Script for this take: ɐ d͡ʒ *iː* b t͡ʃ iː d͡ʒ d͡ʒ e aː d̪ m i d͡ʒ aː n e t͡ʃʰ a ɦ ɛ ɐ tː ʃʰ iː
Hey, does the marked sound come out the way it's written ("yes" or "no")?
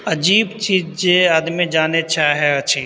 yes